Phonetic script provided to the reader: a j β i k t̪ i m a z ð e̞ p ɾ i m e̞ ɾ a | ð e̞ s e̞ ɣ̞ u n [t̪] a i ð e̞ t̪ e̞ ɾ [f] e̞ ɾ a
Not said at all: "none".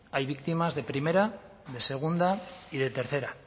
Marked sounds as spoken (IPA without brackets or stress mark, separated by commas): d̪, θ